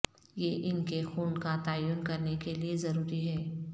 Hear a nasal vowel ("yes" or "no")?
no